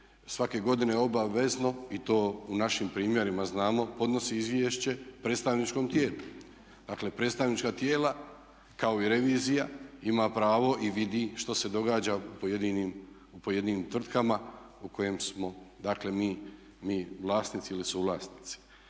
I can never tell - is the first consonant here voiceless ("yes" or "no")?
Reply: yes